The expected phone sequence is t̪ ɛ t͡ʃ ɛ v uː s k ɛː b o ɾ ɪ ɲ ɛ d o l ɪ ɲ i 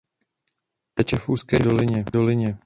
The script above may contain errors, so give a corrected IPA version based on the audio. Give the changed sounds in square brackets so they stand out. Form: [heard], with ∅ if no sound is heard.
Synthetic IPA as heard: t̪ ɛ t͡ʃ ɛ [f] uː s k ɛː [d] o [l] ɪ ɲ ɛ d o l ɪ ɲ [ɛ]